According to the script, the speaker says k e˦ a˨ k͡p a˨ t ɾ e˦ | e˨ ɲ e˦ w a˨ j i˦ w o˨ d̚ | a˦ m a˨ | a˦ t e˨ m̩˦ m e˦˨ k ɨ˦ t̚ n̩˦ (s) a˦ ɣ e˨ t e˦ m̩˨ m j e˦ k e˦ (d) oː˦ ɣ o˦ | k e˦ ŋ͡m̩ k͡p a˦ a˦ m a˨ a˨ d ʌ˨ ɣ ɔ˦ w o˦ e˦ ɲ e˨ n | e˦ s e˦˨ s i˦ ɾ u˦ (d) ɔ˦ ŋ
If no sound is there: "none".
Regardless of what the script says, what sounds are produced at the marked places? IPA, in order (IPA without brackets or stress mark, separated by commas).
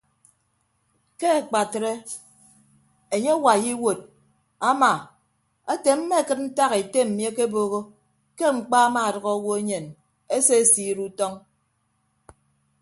t, b, t